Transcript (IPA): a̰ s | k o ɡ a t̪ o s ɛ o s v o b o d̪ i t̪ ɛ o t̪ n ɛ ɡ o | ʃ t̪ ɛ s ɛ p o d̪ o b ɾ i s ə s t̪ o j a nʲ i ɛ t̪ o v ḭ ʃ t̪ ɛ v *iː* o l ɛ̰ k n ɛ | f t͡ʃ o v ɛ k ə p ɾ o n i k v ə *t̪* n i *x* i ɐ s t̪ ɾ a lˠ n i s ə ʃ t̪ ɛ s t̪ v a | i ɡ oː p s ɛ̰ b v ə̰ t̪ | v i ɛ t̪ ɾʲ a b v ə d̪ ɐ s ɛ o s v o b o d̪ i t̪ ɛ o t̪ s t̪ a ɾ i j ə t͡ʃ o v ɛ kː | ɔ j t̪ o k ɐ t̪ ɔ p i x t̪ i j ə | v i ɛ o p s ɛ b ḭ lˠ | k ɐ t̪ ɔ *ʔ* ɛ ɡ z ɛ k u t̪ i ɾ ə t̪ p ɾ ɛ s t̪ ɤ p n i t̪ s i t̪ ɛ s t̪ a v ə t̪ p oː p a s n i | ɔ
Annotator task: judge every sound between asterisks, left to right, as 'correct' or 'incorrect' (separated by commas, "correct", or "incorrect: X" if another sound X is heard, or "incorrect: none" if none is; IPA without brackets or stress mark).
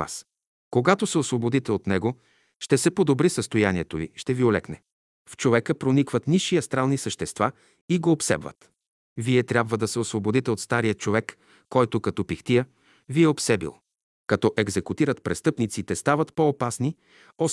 incorrect: i, correct, incorrect: ʃ, correct